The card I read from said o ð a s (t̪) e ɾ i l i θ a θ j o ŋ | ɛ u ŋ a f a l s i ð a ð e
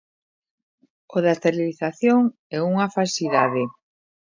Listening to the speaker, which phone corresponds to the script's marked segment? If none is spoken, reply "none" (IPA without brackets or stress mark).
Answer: t̪